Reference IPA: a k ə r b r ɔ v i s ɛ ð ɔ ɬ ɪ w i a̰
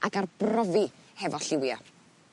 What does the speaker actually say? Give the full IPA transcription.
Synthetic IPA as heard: a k a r b r ɔ v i h ɛ v ɔ ɬ ɪ w j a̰